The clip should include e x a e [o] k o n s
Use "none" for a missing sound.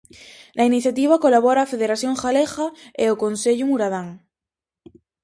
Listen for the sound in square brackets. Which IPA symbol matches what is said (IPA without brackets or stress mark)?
o